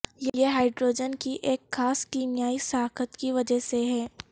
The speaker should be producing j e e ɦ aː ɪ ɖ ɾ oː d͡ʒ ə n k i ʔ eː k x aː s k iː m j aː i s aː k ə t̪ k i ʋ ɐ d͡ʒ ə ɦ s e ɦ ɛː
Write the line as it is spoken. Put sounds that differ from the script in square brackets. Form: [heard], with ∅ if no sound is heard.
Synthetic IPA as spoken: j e e ɦ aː ɪ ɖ ɾ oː d͡ʒ ə n k i ʔ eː k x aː s k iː m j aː i s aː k ə t̪ k i ʋ ɐ d͡ʒ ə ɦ s e ɦ ɛː